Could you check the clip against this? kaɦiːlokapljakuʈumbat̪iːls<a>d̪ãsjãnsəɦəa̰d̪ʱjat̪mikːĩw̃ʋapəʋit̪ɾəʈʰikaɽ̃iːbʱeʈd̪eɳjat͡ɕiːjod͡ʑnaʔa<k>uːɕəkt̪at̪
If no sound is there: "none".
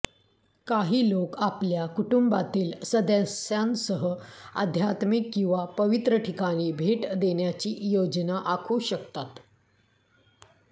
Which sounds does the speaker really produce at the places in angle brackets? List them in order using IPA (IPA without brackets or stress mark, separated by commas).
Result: ə, kʰ